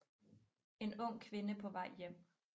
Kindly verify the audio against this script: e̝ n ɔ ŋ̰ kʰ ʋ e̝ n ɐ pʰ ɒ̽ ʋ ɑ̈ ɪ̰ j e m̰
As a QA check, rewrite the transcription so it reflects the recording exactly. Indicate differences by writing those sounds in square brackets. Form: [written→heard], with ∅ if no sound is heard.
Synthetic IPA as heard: e̝ n ɔ ŋ̰ kʰ ʋ e̝ n [ɐ→ə] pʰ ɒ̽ ʋ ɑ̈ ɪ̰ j e m̰